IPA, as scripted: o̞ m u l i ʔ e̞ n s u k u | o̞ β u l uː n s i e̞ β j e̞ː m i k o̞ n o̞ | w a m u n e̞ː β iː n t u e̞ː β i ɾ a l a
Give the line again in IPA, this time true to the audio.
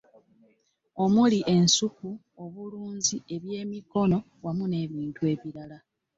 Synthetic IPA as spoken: o̞ m u l i ʔ e̞ n s u k u | o̞ β u l uː n z i e̞ β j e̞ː m i k o̞ n o̞ | w a m u n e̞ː β iː n t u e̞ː β i ɾ a l a